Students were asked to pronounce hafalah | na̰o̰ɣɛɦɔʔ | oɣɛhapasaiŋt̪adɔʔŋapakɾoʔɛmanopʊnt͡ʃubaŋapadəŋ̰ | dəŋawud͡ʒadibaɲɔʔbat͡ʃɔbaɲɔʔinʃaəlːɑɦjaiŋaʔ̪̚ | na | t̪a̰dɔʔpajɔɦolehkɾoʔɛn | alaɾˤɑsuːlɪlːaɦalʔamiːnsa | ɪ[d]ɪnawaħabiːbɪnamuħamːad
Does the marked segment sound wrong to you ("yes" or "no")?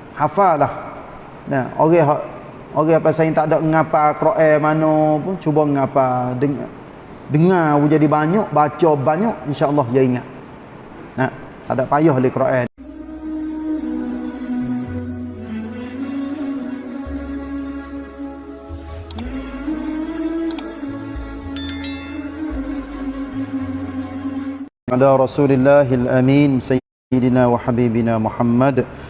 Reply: no